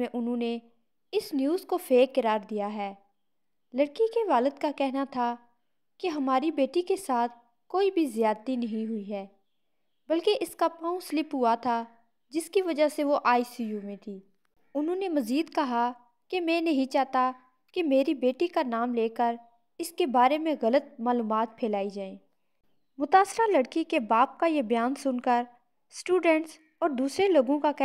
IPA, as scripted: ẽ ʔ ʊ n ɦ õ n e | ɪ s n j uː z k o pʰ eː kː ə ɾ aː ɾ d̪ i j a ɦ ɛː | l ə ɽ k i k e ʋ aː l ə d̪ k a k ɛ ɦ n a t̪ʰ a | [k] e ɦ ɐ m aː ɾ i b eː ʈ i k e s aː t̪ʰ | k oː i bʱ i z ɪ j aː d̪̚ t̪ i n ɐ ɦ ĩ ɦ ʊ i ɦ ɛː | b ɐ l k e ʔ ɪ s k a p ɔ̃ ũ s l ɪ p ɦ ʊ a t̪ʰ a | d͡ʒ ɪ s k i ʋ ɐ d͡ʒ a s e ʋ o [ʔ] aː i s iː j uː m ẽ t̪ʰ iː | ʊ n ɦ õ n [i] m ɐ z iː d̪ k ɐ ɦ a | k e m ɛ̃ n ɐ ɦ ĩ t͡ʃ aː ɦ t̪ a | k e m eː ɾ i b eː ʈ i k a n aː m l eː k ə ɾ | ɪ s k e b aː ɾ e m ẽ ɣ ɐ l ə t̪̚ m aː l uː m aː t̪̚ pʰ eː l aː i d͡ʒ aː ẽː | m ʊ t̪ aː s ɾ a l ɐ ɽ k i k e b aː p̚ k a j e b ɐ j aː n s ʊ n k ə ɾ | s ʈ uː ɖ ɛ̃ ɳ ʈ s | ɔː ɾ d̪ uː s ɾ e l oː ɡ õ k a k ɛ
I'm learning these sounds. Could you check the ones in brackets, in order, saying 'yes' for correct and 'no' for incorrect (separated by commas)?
yes, yes, no